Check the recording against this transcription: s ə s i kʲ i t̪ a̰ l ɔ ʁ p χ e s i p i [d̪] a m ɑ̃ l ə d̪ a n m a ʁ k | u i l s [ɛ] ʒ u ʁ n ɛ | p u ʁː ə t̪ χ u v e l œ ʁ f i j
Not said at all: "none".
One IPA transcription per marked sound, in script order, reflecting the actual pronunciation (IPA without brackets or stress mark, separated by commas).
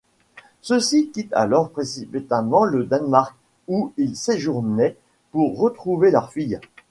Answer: t̪, e